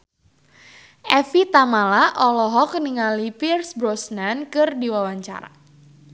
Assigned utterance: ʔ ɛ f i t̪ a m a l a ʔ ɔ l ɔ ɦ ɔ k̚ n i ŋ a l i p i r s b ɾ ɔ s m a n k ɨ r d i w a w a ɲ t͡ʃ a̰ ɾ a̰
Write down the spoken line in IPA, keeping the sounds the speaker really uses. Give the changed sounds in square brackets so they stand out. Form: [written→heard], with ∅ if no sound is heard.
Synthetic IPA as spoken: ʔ ɛ f i t̪ a m a l a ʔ ɔ l ɔ ɦ ɔ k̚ n i ŋ a l i p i r s b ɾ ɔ s [m→n] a n k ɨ r d i w a w a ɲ t͡ʃ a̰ ɾ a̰